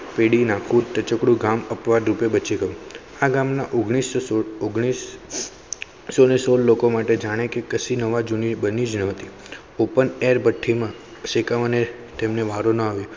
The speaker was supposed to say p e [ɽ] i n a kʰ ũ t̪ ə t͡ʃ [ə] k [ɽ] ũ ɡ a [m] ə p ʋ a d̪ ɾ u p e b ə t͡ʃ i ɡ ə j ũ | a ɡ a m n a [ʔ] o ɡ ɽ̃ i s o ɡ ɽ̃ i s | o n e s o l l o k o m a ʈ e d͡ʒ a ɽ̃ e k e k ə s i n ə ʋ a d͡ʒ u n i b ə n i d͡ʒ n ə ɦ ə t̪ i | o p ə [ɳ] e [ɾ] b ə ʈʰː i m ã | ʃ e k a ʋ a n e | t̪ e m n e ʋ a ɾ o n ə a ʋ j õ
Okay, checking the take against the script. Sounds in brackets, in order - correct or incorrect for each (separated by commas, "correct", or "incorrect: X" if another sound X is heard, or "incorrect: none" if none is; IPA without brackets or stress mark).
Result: correct, correct, correct, correct, correct, incorrect: n, correct